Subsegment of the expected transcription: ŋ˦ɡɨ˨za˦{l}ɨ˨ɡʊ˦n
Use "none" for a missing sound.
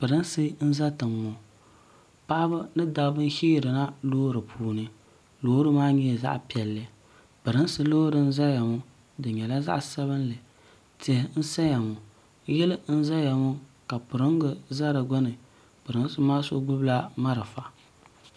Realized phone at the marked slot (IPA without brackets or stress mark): ɾ